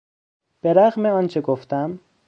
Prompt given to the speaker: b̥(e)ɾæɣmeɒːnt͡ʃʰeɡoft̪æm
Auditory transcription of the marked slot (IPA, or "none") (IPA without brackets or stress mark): e